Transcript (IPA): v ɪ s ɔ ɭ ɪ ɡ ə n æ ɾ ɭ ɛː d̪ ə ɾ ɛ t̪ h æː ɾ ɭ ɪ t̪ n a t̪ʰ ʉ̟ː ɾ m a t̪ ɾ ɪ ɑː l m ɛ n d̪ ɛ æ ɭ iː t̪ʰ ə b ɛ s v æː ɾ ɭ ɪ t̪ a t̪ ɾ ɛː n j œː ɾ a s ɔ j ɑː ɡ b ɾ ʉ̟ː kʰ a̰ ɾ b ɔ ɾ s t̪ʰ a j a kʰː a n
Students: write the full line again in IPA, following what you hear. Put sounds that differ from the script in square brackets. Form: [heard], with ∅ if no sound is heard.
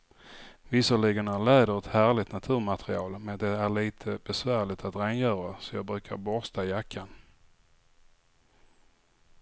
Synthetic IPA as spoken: v ɪ s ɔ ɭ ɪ ɡ ə n æ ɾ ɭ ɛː d̪ ə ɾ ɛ t̪ h æː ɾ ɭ ɪ t̪ n a t̪ʰ ʉ̟ː ɾ m a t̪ ɾ ɪ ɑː l m ɛ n d̪ ɛ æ ɭ iː t̪ʰ ə b ɛ s v æː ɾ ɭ ɪ t̪ a t̪ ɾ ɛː n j œː ɾ a s ɔ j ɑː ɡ b ɾ ʉ̟ː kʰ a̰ ɾ b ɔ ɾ s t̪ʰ a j a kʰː a n